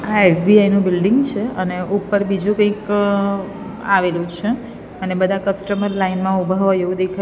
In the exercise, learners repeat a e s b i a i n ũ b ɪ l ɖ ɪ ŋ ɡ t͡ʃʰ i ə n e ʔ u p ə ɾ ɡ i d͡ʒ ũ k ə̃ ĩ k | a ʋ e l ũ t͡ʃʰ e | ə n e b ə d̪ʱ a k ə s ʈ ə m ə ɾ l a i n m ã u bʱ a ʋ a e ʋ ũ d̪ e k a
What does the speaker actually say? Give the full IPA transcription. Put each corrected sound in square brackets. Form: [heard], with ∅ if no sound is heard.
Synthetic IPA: a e s b i a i n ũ b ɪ l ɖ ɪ ŋ ɡ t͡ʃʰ [e] ə n e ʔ u p ə ɾ [b] i d͡ʒ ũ k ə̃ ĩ k | a ʋ e l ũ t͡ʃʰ e | ə n e b ə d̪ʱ a k ə s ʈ ə m ə ɾ l a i n m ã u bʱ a ʋ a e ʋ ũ d̪ e [kʰ] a

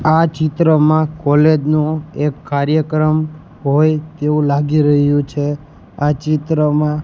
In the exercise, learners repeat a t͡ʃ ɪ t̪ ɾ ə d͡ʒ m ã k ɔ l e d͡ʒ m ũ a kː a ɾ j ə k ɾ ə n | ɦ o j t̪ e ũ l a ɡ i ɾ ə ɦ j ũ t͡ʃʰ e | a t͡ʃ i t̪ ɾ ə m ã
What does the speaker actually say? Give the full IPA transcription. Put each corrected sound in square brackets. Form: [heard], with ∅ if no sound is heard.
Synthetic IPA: a t͡ʃ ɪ t̪ ɾ ə [∅] m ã k ɔ l e d͡ʒ [n] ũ [e] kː a ɾ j ə k ɾ ə [m] | ɦ o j t̪ e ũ l a ɡ i ɾ ə ɦ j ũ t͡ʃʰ e | a t͡ʃ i t̪ ɾ ə m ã

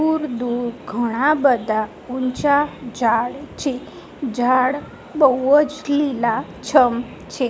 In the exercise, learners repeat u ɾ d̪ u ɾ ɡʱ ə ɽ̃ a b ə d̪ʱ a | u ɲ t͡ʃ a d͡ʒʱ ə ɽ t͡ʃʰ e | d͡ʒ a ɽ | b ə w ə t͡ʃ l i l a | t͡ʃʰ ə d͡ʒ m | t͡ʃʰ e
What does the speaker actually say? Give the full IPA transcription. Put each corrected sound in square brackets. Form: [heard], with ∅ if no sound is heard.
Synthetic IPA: u ɾ d̪ u ɾ ɡʱ ə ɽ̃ a b ə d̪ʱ a | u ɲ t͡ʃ a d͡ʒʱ [a] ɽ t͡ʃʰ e | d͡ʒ a ɽ | b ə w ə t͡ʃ l i l a | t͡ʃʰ ə [∅] m | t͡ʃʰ e

